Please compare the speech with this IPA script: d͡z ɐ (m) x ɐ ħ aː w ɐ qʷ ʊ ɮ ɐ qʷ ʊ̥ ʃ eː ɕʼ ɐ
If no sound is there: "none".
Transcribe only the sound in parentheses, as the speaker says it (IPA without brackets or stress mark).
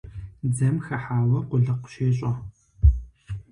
m